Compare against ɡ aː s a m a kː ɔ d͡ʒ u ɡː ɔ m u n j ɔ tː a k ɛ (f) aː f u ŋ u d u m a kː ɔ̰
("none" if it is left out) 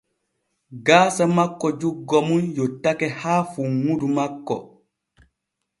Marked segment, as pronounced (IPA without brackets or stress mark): h